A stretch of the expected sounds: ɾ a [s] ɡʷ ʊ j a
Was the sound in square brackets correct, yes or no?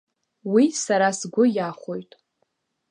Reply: yes